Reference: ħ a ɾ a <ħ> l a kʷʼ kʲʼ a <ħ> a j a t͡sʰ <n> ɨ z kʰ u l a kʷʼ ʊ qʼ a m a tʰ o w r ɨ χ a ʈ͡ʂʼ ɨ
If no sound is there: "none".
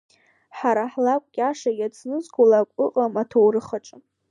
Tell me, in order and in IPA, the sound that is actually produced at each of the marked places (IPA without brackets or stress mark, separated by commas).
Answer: ħ, ʂ, n